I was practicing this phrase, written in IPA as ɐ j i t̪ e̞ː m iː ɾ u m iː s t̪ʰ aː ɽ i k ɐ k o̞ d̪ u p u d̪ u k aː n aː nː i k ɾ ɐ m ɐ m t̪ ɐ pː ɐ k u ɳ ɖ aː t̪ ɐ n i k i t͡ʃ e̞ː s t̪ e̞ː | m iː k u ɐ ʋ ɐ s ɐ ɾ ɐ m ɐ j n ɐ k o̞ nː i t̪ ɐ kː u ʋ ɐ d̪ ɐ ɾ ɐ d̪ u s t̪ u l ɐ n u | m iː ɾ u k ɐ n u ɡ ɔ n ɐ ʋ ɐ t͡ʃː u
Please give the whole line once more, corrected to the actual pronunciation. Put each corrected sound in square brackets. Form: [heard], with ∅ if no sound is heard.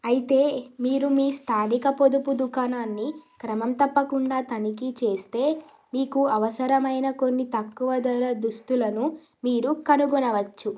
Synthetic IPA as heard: ɐ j i t̪ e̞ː m iː ɾ u m iː s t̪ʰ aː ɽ i k ɐ [p] o̞ d̪ u p u d̪ u k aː n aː nː i k ɾ ɐ m ɐ m t̪ ɐ pː ɐ k u ɳ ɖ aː t̪ ɐ n i k i t͡ʃ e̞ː s t̪ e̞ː | m iː k u ɐ ʋ ɐ s ɐ ɾ ɐ m ɐ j n ɐ k o̞ nː i t̪ ɐ kː u ʋ ɐ d̪ ɐ ɾ ɐ d̪ u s t̪ u l ɐ n u | m iː ɾ u k ɐ n u ɡ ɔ n ɐ ʋ ɐ t͡ʃː u

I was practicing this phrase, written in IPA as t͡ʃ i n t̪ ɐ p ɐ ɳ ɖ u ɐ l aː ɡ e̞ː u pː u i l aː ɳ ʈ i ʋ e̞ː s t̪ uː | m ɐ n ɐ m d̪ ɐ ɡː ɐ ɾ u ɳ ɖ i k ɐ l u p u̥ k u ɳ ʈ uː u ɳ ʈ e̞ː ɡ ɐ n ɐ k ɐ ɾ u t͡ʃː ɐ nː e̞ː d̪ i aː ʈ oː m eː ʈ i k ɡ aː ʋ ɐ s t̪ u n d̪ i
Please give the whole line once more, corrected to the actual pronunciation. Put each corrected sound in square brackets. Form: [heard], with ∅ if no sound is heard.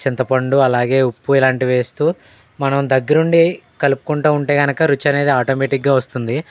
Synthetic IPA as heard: t͡ʃ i n t̪ ɐ p ɐ ɳ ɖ u ɐ l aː ɡ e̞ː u pː u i l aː ɳ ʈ i ʋ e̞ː s t̪ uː | m ɐ n ɐ m d̪ ɐ ɡː ɐ ɾ u ɳ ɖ i k ɐ l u p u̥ k u ɳ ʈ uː u ɳ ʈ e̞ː ɡ ɐ n ɐ k ɐ ɾ u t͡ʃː ɐ [n] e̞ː d̪ i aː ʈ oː m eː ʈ i k ɡ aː ʋ ɐ s t̪ u n d̪ i

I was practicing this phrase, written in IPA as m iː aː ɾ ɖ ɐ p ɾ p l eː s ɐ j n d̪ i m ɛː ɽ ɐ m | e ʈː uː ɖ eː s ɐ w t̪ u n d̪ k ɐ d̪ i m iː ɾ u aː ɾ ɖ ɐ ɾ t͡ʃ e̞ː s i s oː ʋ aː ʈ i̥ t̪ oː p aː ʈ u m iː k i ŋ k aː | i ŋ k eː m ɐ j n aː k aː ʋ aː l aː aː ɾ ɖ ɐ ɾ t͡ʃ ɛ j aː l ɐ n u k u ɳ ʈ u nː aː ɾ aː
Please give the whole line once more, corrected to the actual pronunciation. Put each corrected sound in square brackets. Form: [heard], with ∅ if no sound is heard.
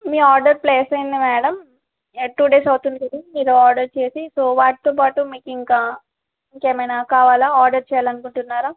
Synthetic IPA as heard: m iː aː ɾ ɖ ɐ [∅] ɾ p l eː s ɐ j n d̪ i m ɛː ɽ ɐ m | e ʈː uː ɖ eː s ɐ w t̪ u n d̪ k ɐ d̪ i m iː ɾ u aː ɾ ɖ ɐ ɾ t͡ʃ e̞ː s i s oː ʋ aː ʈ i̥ t̪ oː p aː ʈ u m iː k i ŋ k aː | i ŋ k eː m ɐ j n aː k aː ʋ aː l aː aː ɾ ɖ ɐ ɾ t͡ʃ ɛ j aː l ɐ n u k u ɳ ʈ u nː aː ɾ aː

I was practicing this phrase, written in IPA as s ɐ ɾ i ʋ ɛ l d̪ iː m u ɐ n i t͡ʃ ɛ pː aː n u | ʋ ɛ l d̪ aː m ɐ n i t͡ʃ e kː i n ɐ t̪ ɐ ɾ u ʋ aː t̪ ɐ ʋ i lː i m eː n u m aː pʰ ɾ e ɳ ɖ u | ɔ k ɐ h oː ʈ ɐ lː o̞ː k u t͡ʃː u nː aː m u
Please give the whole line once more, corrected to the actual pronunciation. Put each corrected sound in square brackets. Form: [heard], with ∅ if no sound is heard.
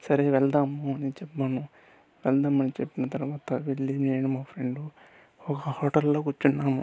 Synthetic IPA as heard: s ɐ ɾ [e] ʋ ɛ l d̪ [aː] m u ɐ n i t͡ʃ ɛ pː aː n u | ʋ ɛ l d̪ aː m ɐ n i t͡ʃ e [pː] i n ɐ t̪ ɐ ɾ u ʋ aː t̪ ɐ ʋ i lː i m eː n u m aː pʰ ɾ e ɳ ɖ u | ɔ k ɐ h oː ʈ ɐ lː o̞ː k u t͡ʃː u nː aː m u

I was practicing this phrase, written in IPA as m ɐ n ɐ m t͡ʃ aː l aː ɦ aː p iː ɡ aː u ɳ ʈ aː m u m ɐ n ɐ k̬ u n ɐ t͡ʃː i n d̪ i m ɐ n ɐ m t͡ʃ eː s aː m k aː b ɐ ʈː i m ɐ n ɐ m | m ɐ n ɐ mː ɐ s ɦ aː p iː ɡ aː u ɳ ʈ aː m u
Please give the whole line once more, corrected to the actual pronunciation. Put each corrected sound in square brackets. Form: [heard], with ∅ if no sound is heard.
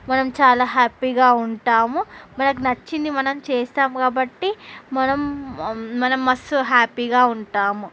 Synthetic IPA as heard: m ɐ n ɐ m t͡ʃ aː l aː ɦ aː p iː ɡ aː u ɳ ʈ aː m u m ɐ n ɐ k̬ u n ɐ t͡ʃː i n d̪ i m ɐ n ɐ m t͡ʃ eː s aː m k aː b ɐ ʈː i m ɐ n ɐ m | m ɐ n ɐ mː ɐ s ɦ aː p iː ɡ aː u ɳ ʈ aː m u

